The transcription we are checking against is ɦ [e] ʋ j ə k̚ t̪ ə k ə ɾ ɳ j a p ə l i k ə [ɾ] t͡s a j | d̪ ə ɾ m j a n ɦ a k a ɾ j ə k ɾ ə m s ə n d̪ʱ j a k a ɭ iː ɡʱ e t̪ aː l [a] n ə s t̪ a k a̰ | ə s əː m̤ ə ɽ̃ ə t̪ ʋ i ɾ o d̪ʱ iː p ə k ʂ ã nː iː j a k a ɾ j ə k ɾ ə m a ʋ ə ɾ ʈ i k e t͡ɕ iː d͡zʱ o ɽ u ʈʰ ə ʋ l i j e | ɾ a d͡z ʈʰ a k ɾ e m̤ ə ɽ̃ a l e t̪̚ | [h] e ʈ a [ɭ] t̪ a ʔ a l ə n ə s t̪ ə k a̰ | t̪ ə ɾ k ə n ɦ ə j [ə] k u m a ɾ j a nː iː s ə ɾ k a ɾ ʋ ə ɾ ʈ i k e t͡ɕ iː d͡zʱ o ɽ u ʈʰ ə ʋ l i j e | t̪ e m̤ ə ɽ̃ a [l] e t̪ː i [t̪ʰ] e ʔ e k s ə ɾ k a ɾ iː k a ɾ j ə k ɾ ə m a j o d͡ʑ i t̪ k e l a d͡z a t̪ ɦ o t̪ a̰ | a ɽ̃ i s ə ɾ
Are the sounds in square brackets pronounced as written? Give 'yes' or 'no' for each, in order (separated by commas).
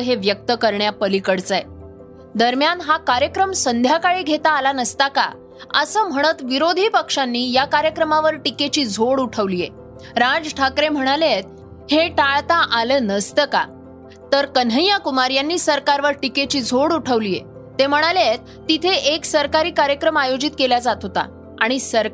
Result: yes, no, yes, yes, yes, no, yes, yes